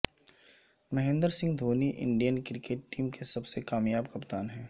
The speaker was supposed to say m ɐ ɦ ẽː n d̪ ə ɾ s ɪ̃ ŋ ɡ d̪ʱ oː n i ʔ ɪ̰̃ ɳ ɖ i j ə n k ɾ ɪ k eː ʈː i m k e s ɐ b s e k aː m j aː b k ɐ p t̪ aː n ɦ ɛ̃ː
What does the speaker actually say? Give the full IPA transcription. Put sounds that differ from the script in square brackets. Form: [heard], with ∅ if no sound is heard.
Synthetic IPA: m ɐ ɦ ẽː n d̪ ə ɾ s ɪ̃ ŋ ɡ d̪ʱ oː n i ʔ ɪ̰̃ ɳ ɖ i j ə n k ɾ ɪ k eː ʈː [iː] m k e s ɐ b s e k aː m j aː b k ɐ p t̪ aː n ɦ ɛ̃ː